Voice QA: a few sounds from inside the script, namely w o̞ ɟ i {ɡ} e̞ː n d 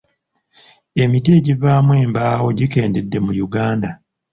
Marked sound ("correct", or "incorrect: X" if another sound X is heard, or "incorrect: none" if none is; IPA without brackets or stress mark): incorrect: k